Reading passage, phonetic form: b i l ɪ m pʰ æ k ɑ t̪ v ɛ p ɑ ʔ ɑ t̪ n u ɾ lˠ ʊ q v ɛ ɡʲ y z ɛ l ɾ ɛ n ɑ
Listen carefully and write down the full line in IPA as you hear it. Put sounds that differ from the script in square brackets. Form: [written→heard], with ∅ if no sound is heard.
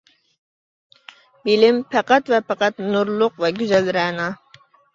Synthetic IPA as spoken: b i l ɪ m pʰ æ [k→q] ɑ t̪ v ɛ p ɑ [ʔ→q] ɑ t̪ n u ɾ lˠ ʊ q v ɛ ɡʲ y z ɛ l ɾ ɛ n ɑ

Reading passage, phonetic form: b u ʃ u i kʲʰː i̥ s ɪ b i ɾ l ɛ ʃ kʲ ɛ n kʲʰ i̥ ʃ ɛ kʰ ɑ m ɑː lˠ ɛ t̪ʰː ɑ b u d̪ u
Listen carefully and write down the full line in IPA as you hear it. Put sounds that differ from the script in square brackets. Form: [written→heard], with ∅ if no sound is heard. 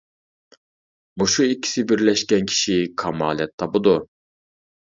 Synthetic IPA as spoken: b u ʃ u i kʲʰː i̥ s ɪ b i ɾ l ɛ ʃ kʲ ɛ n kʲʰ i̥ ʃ [ɛ→i] kʰ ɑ m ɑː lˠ ɛ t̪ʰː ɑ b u d̪ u

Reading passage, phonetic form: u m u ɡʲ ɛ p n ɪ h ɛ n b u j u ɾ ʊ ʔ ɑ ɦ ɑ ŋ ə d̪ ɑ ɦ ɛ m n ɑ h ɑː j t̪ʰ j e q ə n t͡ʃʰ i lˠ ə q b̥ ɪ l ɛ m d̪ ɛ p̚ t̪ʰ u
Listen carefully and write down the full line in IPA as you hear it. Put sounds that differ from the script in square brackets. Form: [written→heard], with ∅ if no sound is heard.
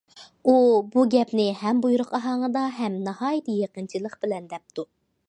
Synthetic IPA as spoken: u [m→b] u ɡʲ ɛ p n ɪ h ɛ [n→m] b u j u ɾ ʊ [ʔ→q] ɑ ɦ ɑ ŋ ə d̪ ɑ ɦ ɛ m n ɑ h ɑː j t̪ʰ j e q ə n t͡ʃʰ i lˠ ə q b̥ ɪ l ɛ [m→n] d̪ ɛ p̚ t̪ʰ u

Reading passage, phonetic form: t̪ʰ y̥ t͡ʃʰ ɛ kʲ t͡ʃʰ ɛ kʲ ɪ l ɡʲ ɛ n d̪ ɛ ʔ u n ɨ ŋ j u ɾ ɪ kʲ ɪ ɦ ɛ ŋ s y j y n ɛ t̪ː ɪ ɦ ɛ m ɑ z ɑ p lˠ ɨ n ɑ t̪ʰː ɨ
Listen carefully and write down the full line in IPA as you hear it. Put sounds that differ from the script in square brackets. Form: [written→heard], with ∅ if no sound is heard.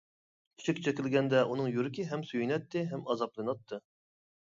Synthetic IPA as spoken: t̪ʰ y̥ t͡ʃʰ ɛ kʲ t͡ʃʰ ɛ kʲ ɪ l ɡʲ ɛ n d̪ ɛ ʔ u n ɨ ŋ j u ɾ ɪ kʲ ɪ ɦ ɛ [ŋ→m] s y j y n ɛ t̪ː ɪ ɦ ɛ m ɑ z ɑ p lˠ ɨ n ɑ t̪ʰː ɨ

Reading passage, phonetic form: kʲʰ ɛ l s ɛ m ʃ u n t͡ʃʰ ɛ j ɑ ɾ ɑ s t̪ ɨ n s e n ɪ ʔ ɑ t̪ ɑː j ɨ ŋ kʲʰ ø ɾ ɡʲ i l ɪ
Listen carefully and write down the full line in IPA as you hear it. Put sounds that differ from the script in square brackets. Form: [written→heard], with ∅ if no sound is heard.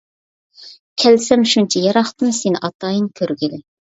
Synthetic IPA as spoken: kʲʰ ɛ l s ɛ m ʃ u n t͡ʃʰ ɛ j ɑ ɾ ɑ [s→χ] t̪ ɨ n s e n ɪ ʔ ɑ t̪ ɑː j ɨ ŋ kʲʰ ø ɾ ɡʲ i l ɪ

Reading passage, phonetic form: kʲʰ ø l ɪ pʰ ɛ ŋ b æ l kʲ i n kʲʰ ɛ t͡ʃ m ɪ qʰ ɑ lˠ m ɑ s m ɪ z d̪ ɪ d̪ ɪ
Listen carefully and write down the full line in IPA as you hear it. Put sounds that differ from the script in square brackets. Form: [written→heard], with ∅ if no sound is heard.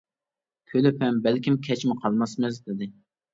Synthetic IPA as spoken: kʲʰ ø l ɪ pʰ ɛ [ŋ→m] b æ l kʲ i [n→m] kʲʰ ɛ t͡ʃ m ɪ qʰ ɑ lˠ m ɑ s m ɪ z d̪ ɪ d̪ ɪ

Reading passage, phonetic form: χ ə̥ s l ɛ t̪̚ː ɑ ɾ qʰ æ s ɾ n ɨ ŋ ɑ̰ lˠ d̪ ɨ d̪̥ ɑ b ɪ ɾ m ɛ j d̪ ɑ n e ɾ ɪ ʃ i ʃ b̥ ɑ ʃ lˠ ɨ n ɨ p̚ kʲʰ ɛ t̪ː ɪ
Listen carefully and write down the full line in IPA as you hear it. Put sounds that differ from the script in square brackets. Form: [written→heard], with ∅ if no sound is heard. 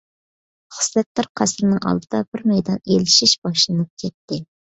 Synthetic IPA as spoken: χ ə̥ s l ɛ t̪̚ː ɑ ɾ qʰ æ s ɾ n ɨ ŋ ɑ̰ lˠ d̪ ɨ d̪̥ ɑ b ɪ ɾ m ɛ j d̪ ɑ n e [ɾ→l] ɪ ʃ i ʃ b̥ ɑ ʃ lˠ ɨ n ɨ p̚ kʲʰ ɛ t̪ː ɪ

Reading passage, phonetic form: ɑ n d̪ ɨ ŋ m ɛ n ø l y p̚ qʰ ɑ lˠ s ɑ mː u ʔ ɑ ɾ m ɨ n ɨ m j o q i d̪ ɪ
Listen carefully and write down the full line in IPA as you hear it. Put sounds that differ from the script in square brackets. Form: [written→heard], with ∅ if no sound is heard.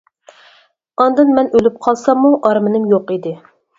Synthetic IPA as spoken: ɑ n d̪ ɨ [ŋ→n] m ɛ n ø l y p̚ qʰ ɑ lˠ s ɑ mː u ʔ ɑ ɾ m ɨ n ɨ m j o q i d̪ ɪ

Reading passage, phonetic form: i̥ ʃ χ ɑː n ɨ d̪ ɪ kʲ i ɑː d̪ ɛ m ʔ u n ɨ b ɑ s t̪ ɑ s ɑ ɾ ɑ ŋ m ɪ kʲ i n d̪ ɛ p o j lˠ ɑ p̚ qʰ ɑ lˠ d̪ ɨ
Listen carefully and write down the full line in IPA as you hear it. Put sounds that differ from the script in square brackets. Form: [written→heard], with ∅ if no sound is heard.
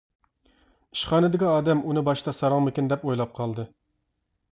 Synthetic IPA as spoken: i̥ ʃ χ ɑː n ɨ d̪ ɪ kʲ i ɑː d̪ ɛ m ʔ u n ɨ b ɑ [s→ʃ] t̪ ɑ s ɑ ɾ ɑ ŋ m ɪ kʲ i n d̪ ɛ p o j lˠ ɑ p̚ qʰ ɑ lˠ d̪ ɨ

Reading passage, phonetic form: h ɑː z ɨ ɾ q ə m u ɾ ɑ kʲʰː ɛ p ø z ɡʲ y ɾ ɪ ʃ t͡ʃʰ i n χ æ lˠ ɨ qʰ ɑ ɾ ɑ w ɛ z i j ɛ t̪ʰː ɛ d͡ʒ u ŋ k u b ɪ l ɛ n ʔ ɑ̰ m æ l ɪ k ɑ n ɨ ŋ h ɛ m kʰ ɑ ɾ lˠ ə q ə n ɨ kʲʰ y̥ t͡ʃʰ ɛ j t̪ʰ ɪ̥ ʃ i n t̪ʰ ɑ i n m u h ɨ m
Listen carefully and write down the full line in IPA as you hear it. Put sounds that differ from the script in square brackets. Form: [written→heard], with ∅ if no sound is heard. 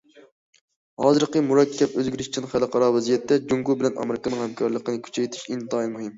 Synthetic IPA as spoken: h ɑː z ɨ ɾ q ə m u ɾ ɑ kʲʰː ɛ p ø z ɡʲ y ɾ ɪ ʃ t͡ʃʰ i n χ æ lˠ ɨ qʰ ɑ ɾ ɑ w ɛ z i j ɛ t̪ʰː ɛ d͡ʒ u ŋ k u b ɪ l ɛ n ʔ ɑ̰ m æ [l→ɾ] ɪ k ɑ n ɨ ŋ h ɛ m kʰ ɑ ɾ lˠ ə q ə n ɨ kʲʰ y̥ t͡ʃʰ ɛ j t̪ʰ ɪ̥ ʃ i n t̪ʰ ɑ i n m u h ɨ m

